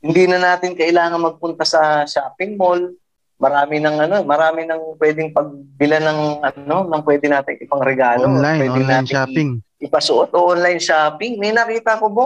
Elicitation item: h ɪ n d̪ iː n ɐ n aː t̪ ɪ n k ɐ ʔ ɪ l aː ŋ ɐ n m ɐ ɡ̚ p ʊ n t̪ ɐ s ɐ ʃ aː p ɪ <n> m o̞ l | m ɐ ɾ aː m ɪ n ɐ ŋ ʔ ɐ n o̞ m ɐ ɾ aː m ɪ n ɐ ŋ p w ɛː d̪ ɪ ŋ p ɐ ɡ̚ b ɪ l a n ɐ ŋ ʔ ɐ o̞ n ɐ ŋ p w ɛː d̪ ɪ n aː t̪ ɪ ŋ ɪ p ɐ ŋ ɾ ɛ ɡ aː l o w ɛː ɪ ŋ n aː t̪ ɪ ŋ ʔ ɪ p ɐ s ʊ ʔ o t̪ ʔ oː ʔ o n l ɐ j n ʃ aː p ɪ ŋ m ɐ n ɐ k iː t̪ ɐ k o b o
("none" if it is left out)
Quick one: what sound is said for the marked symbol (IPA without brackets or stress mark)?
ŋ